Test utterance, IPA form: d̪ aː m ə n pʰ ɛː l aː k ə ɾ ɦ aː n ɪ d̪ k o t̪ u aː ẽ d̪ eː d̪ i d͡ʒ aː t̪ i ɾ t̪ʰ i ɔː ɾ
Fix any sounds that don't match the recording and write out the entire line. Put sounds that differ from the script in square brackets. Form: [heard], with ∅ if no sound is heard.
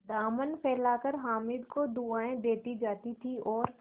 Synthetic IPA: d̪ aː m ə n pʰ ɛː l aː k ə ɾ ɦ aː [m] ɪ d̪ k o [d̪] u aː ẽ d̪ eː [t̪] i d͡ʒ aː t̪ i [∅] t̪ʰ i ɔː ɾ